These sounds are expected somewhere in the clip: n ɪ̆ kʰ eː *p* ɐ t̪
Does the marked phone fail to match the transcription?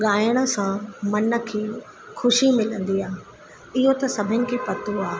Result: no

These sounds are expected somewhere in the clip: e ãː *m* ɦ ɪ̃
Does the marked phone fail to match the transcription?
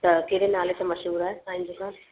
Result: yes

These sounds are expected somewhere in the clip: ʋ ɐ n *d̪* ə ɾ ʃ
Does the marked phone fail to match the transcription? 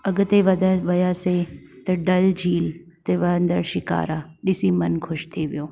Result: no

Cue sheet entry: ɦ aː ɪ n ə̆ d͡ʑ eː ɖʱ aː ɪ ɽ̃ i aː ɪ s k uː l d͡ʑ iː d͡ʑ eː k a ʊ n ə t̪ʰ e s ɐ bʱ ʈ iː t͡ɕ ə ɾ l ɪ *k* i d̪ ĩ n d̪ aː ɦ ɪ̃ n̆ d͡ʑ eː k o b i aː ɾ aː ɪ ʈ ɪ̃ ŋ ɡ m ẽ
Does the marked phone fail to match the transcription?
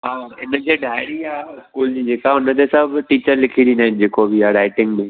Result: yes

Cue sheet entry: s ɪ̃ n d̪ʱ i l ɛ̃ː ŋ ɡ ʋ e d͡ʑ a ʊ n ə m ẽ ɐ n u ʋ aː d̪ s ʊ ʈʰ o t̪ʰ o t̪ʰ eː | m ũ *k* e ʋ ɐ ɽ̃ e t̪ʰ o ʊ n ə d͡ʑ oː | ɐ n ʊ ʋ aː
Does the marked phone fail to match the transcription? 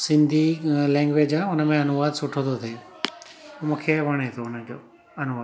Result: yes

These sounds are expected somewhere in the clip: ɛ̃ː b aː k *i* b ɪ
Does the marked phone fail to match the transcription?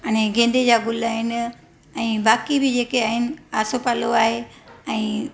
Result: no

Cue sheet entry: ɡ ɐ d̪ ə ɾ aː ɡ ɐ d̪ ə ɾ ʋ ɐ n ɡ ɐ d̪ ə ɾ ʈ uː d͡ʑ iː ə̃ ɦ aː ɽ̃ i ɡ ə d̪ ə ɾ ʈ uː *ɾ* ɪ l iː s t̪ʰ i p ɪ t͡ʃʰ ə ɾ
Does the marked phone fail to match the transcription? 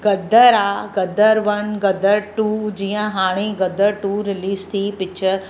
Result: no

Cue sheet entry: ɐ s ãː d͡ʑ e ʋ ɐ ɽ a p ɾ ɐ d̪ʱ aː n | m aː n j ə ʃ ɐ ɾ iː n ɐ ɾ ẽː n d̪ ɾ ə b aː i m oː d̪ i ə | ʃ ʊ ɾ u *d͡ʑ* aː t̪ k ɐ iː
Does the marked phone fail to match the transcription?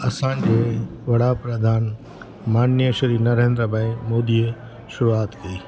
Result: yes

